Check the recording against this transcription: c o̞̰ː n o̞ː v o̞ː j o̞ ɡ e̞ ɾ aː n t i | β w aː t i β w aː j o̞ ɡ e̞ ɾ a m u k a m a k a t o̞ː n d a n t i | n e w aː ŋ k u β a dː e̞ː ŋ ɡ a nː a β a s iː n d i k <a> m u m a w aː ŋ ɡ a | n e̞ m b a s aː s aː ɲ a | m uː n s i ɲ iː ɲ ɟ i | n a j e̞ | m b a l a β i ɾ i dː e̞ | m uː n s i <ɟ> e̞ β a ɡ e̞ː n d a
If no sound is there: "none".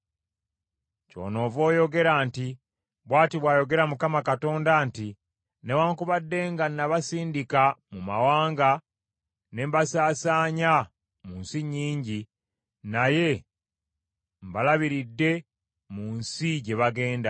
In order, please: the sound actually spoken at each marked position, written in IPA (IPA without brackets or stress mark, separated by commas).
a, ɟ